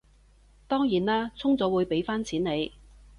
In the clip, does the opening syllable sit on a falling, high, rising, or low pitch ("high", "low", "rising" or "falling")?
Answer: high